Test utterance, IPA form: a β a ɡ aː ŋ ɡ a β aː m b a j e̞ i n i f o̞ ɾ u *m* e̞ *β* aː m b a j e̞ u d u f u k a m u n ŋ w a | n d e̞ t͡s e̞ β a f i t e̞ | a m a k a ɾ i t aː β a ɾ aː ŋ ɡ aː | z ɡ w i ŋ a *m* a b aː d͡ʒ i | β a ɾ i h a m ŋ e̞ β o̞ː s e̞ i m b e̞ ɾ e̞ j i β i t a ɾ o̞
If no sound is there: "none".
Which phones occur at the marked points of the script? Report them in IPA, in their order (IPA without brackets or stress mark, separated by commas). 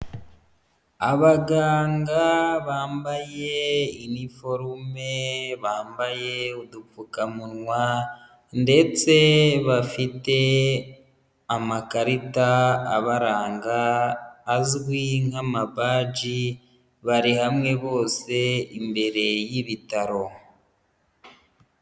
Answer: m, β, m